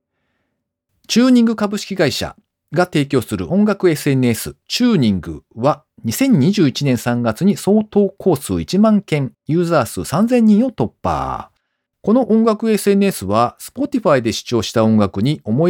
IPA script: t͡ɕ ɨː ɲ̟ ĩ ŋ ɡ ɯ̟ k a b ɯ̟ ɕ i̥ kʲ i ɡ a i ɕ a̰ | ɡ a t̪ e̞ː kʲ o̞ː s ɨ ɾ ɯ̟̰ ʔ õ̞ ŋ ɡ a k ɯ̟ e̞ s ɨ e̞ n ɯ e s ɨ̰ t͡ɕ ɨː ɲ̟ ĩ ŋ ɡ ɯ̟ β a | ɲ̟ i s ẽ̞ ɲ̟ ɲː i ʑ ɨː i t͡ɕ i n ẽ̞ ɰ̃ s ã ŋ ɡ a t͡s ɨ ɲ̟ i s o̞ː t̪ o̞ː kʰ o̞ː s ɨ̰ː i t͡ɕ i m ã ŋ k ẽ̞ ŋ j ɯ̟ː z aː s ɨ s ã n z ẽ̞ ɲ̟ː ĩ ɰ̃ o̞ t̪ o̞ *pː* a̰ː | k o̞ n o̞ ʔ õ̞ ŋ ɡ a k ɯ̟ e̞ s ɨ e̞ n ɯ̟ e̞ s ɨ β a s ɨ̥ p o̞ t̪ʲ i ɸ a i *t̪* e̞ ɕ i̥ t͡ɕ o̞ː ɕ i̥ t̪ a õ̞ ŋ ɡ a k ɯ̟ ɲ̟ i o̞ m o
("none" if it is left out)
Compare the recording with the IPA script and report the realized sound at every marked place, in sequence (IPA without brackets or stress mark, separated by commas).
pː, d̪